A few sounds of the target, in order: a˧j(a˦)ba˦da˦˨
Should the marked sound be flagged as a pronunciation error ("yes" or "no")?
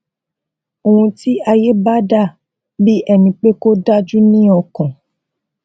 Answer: yes